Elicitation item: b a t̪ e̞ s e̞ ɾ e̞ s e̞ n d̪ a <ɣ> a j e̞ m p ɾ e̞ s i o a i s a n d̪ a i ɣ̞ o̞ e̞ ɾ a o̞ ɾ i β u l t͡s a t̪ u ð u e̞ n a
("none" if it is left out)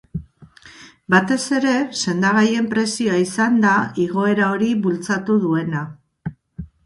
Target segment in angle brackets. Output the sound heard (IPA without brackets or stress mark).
ɣ